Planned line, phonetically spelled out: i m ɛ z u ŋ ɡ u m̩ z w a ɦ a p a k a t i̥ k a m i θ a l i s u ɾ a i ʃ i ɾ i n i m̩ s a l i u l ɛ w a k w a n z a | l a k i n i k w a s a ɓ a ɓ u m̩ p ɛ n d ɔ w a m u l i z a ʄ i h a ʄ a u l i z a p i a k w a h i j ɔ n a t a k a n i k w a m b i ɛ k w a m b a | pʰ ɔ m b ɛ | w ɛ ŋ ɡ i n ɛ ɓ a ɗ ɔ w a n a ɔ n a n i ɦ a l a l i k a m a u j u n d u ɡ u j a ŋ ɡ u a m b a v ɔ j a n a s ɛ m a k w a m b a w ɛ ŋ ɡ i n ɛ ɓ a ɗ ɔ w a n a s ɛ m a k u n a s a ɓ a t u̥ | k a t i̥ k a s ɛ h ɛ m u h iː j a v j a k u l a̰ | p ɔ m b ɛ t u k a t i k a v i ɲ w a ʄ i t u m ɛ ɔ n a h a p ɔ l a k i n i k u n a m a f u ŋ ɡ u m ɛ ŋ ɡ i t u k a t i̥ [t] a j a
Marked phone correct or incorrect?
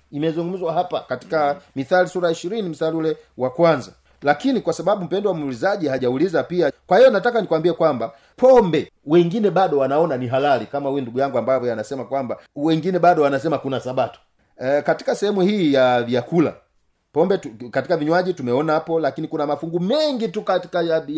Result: incorrect